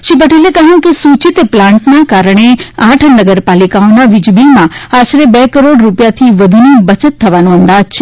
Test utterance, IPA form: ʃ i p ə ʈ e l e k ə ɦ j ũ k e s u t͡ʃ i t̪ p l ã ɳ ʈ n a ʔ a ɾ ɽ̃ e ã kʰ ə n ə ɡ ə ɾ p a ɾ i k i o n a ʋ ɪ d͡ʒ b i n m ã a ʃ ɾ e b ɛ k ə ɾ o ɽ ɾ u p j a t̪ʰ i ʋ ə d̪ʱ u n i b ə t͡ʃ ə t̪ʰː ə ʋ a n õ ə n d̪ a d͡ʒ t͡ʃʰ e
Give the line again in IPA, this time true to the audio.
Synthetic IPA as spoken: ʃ i p ə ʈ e l e k ə ɦ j ũ k e s u t͡ʃ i t̪ p l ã ɳ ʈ n a k a ɾ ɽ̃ e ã ʈʰ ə n ə ɡ ə ɾ p a l i k a o n a ʋ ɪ d͡ʒ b i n m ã a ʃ ɾ e b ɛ k ə ɾ o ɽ ɾ u p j a t̪ʰ i ʋ ə d̪ʱ u n i b ə t͡ʃ ə t̪ʰː ə ʋ a n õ ə n d̪ a d͡ʒ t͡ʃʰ e